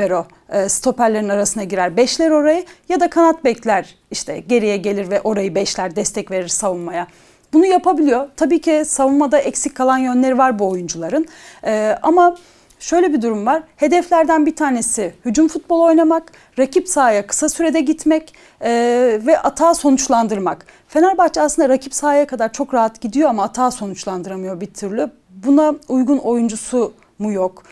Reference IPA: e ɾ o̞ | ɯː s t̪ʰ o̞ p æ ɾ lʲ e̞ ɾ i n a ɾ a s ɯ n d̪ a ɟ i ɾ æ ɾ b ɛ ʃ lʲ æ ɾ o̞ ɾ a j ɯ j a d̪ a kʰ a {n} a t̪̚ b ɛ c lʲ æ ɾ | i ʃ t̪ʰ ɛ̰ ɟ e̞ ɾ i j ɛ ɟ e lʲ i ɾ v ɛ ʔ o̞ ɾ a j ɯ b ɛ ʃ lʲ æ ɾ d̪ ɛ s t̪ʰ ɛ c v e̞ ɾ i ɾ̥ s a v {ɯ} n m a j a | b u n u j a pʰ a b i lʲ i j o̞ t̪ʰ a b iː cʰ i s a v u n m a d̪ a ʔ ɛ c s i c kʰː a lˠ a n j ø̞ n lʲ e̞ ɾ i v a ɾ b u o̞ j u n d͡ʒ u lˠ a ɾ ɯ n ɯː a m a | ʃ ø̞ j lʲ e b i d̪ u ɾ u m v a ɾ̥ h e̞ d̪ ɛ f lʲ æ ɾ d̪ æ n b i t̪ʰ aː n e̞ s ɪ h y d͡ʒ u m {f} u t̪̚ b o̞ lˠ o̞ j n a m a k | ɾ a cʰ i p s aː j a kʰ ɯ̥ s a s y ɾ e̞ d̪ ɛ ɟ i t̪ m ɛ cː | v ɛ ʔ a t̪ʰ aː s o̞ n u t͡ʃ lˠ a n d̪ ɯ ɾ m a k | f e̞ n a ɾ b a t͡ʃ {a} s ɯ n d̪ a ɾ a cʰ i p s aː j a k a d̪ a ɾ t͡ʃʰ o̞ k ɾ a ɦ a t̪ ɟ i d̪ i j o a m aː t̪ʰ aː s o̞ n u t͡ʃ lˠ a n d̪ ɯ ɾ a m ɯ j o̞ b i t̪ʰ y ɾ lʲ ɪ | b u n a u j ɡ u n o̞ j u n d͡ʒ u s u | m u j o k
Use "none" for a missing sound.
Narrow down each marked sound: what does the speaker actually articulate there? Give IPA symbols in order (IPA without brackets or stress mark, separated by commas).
n, u, f, a